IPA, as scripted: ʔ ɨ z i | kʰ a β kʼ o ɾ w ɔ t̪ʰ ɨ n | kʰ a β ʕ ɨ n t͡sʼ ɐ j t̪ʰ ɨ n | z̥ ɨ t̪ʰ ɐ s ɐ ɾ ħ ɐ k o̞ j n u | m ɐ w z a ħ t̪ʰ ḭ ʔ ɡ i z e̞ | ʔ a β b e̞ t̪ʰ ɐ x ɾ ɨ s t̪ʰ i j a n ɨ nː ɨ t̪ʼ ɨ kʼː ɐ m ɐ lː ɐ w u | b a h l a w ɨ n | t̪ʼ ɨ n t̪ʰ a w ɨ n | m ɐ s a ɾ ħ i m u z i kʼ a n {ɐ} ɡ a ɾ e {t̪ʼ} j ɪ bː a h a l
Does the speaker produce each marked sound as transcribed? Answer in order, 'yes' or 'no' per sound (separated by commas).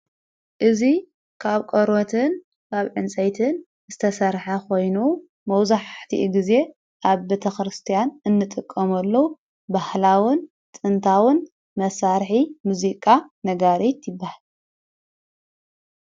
yes, no